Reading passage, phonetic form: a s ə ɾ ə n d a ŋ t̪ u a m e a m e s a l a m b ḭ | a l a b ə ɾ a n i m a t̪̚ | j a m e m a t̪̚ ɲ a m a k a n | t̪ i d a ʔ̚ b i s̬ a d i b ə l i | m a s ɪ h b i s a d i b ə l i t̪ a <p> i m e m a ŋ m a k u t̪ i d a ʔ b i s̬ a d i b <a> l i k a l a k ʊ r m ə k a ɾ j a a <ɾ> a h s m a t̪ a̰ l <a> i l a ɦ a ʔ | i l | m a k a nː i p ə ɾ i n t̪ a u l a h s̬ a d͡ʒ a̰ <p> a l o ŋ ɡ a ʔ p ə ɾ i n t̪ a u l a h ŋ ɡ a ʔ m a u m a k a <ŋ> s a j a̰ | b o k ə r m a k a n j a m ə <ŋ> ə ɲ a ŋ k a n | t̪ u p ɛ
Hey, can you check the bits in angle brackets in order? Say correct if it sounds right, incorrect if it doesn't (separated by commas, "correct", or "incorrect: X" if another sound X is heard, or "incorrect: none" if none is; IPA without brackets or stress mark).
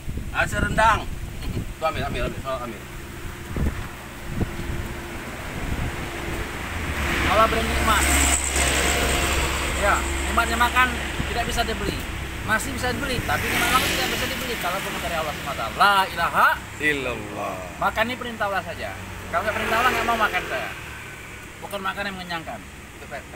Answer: correct, incorrect: ə, incorrect: l, correct, incorrect: k, incorrect: n, correct